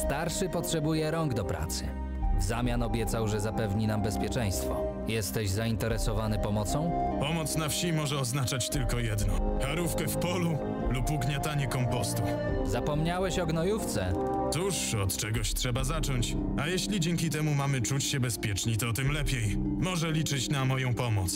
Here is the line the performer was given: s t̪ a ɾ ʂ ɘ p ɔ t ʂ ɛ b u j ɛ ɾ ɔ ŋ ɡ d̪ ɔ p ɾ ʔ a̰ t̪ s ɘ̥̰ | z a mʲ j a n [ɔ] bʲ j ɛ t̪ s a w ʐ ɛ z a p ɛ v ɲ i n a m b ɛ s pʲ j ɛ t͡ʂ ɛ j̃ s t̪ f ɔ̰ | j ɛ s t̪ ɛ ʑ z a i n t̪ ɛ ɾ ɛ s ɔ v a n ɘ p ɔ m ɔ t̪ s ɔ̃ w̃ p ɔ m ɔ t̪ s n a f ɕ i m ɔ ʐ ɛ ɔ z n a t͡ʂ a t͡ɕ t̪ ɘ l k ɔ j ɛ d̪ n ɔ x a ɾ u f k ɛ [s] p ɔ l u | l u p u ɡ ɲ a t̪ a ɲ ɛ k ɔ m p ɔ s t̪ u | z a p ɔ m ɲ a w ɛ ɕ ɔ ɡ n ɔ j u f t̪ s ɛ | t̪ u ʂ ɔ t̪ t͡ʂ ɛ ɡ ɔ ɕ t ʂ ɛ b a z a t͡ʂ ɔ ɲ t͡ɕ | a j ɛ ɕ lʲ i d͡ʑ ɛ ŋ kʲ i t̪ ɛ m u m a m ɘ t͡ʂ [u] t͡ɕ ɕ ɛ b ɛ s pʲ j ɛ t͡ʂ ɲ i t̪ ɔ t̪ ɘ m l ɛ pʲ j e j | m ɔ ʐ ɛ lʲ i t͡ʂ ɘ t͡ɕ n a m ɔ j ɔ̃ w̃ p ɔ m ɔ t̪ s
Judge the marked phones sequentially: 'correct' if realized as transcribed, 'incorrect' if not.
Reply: correct, incorrect: f, correct

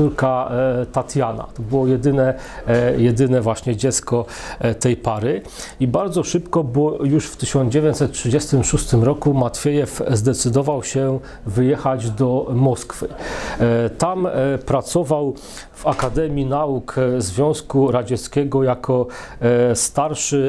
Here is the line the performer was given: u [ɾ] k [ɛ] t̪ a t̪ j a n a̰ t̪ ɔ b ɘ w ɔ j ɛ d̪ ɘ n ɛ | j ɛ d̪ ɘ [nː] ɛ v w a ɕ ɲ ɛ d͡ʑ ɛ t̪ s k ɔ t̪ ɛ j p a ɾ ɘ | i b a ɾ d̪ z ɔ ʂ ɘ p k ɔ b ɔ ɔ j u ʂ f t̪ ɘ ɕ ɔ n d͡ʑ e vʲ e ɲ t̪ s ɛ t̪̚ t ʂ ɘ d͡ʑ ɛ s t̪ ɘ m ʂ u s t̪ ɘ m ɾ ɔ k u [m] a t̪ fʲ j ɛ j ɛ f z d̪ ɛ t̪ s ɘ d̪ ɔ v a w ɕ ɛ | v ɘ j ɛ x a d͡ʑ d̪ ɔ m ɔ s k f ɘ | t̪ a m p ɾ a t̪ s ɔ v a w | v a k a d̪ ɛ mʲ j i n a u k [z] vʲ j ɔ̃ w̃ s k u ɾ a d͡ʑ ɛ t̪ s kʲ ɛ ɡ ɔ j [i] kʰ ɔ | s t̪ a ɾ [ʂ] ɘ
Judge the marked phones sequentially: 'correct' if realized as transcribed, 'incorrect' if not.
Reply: correct, incorrect: a, incorrect: n, correct, correct, incorrect: a, correct

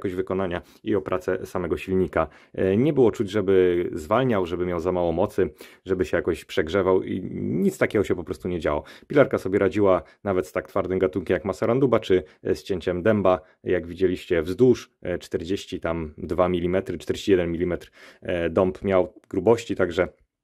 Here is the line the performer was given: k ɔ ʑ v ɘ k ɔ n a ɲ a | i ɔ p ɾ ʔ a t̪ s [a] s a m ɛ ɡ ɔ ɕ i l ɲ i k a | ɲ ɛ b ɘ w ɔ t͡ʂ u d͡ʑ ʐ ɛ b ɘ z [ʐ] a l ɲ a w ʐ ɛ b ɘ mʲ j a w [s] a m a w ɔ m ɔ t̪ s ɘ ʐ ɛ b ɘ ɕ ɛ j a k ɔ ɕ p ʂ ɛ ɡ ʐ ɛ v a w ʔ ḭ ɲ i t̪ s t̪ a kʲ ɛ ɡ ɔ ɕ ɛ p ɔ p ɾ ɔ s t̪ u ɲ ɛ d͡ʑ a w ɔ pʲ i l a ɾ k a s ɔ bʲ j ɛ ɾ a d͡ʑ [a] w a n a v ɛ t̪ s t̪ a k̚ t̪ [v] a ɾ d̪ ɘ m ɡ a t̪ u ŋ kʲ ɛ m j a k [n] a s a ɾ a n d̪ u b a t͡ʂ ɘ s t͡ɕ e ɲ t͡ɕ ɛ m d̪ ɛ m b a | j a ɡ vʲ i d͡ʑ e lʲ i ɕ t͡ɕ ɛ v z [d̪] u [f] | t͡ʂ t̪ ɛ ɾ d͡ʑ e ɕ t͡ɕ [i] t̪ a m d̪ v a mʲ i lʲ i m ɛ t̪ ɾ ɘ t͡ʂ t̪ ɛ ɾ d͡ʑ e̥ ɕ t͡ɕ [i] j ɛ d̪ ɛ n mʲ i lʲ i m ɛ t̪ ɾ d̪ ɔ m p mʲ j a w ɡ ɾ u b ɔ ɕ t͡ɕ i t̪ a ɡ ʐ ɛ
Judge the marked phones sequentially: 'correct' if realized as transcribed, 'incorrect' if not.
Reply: incorrect: ɛ, incorrect: v, incorrect: z, incorrect: i, incorrect: f, incorrect: m, correct, incorrect: ʂ, correct, correct

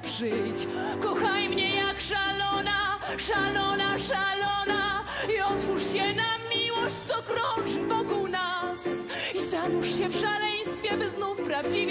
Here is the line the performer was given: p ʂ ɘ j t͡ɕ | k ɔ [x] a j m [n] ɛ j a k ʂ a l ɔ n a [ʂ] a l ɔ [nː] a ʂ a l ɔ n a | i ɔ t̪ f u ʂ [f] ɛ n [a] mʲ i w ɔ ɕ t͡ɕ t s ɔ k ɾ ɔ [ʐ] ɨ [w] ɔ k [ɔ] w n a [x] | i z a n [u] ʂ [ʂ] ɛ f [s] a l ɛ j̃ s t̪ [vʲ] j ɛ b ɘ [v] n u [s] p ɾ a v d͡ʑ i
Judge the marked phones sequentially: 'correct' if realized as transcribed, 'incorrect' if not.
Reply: correct, incorrect: ɲ, correct, incorrect: n, incorrect: ɕ, correct, correct, incorrect: v, incorrect: u, incorrect: s, correct, incorrect: ɕ, incorrect: ʂ, incorrect: fʲ, incorrect: z, incorrect: f

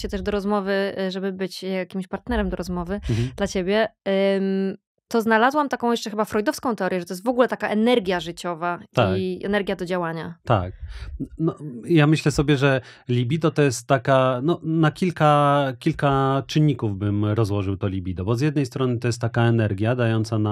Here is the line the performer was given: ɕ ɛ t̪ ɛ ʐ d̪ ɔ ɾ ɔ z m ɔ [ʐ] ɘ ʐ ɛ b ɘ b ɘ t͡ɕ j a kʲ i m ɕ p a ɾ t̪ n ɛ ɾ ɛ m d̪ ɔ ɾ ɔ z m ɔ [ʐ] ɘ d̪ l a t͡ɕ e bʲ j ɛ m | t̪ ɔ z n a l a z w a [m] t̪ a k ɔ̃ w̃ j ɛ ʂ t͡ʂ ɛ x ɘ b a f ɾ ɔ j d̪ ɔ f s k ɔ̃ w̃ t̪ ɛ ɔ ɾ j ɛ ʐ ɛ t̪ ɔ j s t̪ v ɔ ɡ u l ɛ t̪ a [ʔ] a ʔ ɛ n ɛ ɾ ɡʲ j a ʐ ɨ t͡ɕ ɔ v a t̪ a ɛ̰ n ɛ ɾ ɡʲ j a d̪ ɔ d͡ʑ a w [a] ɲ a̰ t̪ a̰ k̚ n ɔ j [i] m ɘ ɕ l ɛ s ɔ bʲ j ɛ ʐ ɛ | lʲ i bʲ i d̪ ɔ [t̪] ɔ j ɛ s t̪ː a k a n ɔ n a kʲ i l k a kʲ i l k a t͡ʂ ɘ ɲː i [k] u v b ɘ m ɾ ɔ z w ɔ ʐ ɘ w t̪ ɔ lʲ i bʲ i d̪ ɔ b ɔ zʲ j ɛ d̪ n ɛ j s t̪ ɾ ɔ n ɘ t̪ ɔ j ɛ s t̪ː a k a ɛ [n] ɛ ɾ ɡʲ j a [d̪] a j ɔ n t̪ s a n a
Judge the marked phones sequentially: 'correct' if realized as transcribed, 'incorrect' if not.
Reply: incorrect: v, incorrect: v, correct, incorrect: k, correct, incorrect: a, correct, correct, correct, correct

